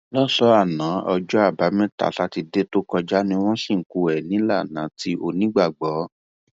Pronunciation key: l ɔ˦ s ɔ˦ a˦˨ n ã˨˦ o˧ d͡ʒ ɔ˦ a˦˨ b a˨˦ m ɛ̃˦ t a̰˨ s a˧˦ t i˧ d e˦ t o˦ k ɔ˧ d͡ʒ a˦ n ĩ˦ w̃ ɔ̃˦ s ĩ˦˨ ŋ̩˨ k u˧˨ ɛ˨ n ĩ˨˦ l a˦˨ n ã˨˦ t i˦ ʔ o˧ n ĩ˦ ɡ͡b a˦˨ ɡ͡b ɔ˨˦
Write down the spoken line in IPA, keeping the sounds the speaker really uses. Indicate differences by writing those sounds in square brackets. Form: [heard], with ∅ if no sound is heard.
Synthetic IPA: l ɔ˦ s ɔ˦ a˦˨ n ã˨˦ [ɔ˧] d͡ʒ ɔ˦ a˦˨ b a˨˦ m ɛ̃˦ t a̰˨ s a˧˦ t i˧ d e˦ t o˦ k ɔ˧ d͡ʒ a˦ n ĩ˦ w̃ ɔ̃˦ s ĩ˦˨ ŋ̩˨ k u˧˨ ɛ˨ n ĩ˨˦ l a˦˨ n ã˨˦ t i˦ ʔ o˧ n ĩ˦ ɡ͡b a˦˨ ɡ͡b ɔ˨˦